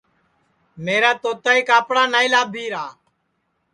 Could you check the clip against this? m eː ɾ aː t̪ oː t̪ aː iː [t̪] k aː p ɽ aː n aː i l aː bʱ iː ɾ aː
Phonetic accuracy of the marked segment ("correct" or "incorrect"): incorrect